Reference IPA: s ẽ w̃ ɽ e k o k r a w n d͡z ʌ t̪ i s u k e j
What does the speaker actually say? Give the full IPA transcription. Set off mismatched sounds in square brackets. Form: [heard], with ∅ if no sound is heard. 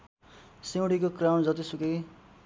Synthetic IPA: s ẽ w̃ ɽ [i] k o k r a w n d͡z ʌ t̪ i s u k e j